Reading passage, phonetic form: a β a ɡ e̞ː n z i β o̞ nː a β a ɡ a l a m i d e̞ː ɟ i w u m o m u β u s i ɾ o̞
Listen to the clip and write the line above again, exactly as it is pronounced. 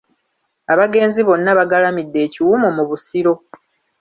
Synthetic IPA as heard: a β a ɡ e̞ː n z i β o̞ nː a β a ɡ a l a m i dː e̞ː c i w u m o m u β u s i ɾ o̞